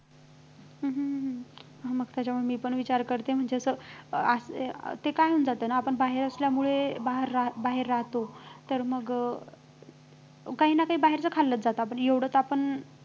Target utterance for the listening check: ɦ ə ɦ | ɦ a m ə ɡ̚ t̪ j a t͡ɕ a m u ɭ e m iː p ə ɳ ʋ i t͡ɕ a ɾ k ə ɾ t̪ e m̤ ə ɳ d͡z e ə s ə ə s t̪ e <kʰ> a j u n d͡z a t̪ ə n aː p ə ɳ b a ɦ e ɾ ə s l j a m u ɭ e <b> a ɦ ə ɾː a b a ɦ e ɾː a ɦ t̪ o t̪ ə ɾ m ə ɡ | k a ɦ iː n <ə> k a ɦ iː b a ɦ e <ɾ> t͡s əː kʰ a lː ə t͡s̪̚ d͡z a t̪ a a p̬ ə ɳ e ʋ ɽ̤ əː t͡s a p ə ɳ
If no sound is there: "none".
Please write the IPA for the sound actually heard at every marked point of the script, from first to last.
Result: k, b, a, ɾ

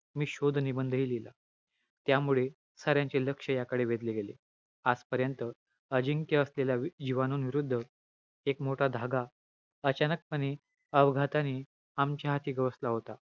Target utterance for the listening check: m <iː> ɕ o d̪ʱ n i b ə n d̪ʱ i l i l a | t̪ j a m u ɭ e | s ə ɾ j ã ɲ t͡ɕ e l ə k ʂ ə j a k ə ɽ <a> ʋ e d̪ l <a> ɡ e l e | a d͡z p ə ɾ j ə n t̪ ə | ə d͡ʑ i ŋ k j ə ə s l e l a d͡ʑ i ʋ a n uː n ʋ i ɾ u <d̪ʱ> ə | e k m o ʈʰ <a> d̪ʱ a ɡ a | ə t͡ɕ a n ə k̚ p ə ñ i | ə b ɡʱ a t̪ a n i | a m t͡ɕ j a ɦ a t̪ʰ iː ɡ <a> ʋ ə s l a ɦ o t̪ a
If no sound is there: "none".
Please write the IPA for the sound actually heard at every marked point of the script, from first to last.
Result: iː, e, e, d̪ʱː, a, ə

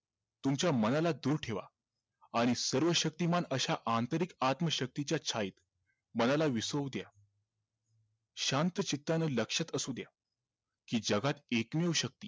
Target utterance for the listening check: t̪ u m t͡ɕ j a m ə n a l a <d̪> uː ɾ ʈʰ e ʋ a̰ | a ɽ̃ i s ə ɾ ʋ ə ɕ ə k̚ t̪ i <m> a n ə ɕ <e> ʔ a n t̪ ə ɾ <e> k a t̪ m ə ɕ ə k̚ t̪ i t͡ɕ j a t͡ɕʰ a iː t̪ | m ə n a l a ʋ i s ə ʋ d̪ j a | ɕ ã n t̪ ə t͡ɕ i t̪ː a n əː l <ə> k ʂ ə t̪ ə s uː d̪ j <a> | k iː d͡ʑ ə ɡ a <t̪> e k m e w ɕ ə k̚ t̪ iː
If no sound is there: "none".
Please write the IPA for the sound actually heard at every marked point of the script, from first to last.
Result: d̪, m, a, i, ə, a, t̪

